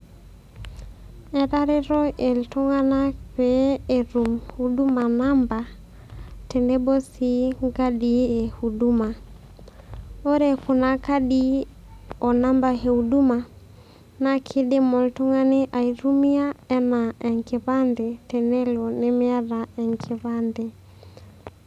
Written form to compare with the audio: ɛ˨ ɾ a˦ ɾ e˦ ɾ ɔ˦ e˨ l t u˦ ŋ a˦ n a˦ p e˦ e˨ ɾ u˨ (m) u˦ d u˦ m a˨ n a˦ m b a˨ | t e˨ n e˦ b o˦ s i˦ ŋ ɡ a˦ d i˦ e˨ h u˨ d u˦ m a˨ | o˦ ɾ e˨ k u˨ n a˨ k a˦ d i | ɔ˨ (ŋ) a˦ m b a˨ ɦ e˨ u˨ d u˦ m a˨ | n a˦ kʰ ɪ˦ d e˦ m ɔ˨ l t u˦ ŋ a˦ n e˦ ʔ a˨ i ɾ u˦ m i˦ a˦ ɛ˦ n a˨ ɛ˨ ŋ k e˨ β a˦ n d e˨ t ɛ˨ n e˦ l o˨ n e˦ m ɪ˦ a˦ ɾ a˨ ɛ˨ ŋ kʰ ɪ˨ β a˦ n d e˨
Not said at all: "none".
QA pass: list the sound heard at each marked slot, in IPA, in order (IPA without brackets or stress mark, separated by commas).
m, n